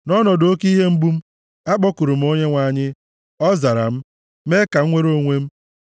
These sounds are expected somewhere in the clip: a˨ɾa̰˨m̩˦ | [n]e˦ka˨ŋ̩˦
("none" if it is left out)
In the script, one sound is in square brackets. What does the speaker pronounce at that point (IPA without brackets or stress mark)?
m